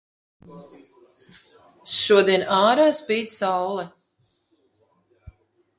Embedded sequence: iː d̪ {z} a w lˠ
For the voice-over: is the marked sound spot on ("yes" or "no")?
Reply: no